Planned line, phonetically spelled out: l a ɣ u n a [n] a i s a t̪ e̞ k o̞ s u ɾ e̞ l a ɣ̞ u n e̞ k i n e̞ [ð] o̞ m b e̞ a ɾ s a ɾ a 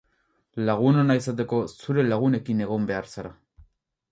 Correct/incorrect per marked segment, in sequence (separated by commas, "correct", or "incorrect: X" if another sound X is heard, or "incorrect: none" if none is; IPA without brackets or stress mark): correct, incorrect: ɣ